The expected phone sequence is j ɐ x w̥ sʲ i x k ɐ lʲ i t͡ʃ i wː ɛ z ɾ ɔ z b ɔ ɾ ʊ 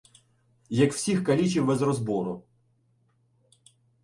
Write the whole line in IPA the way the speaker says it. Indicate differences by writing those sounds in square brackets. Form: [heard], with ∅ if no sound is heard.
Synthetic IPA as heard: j ɐ [k] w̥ sʲ i x k ɐ lʲ i t͡ʃ i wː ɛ z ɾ ɔ z b ɔ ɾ ʊ